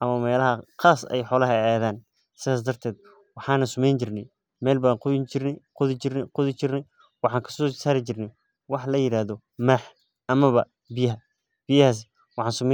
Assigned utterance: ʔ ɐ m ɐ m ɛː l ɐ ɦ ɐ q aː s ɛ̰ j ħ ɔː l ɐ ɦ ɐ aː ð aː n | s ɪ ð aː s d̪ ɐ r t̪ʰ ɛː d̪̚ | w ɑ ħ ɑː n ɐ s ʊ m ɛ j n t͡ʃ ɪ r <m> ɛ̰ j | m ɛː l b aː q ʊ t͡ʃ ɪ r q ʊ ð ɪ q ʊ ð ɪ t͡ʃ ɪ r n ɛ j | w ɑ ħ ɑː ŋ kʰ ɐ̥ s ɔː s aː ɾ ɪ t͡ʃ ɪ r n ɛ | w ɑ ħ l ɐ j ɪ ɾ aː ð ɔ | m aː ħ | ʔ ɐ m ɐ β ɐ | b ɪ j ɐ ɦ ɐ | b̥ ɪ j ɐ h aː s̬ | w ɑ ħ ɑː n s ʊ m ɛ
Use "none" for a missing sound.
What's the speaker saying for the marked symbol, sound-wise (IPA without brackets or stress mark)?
n